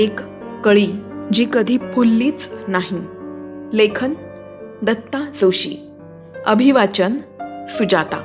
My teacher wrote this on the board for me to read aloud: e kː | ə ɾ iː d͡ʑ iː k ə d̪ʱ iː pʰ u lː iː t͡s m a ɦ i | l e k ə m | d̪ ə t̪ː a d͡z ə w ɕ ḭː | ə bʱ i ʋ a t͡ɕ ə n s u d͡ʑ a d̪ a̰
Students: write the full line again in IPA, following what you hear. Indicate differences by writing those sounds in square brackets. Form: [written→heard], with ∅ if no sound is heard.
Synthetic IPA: e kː | ə [ɾ→ɭ] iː d͡ʑ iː k ə d̪ʱ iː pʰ u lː iː t͡s [m→n] a ɦ i | l e [k→kʰ] ə [m→n] | d̪ ə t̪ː a d͡z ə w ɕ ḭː | ə bʱ i ʋ a t͡ɕ ə n s u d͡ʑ a [d̪→t̪] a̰